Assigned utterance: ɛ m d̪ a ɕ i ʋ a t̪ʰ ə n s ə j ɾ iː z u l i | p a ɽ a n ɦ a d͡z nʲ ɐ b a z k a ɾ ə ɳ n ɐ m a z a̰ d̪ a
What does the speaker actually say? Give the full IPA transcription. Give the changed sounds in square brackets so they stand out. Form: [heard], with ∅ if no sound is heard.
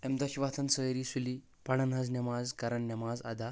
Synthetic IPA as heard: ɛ m d̪ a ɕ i ʋ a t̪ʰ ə n s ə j ɾ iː [s] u l i | p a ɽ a n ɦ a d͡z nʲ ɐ [m] a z k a ɾ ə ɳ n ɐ m a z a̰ d̪ a